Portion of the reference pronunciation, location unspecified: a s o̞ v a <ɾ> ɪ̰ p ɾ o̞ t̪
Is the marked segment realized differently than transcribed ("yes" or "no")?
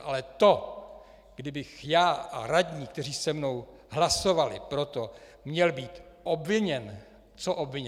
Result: yes